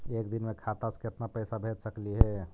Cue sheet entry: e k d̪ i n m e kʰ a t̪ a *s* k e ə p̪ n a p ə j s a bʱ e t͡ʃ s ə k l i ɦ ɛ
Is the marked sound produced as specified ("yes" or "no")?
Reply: yes